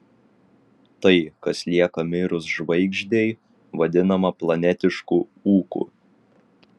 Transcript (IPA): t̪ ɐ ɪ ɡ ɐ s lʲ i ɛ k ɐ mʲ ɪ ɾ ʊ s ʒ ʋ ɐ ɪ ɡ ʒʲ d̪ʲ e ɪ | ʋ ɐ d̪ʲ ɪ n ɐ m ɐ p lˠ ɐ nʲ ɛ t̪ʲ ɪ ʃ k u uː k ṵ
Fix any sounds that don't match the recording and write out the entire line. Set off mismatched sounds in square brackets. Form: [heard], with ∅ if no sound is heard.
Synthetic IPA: t̪ ɐ ɪ [k] ɐ s lʲ i ɛ k ɐ mʲ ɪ ɾ ʊ s ʒ ʋ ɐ ɪ ɡ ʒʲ d̪ʲ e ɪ | ʋ ɐ d̪ʲ ɪ n ɐ m ɐ p lˠ ɐ nʲ ɛ t̪ʲ ɪ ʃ k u uː k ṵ

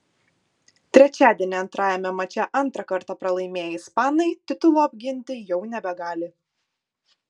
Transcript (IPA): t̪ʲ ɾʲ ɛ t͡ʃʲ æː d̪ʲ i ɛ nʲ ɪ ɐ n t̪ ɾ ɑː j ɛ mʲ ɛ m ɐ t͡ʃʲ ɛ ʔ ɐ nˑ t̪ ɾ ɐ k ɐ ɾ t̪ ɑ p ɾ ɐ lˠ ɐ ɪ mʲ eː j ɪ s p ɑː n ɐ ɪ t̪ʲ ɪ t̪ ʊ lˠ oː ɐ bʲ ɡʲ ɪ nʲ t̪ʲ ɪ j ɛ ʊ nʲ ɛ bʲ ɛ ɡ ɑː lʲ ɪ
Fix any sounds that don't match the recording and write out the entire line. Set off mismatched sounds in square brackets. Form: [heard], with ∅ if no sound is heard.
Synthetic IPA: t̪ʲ ɾʲ ɛ t͡ʃʲ æː d̪ʲ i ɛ nʲ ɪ ɐ n t̪ ɾ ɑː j ɛ mʲ ɛ m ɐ t͡ʃʲ ɛ ʔ ɐ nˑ t̪ ɾ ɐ k ɐ ɾ t̪ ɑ p ɾ ɐ lˠ ɐ ɪ mʲ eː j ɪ s p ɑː n ɐ ɪ t̪ʲ ɪ t̪ ʊ lˠ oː ɐ bʲ ɡʲ ɪ nʲ t̪ʲ ɪ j ɛ ʊ nʲ ɛ bʲ ɛ ɡ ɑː lʲ ɪ

